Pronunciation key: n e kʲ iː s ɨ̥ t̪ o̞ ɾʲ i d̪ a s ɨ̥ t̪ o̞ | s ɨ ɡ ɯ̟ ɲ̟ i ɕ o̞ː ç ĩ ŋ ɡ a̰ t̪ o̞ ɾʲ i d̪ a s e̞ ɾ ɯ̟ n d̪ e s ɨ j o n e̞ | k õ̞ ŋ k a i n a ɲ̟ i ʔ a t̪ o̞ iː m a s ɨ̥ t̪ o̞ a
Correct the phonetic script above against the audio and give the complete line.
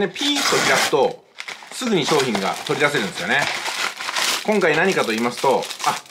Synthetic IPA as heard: n e pʲ iː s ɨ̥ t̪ o̞ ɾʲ i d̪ a s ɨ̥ t̪ o̞ | s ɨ ɡ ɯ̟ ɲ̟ i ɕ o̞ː ç ĩ ŋ ɡ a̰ t̪ o̞ ɾʲ i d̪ a s e̞ ɾ ɯ̟ n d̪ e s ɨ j o n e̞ | k õ̞ ŋ k a i n a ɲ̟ i k a t̪ o̞ iː m a s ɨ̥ t̪ o̞ a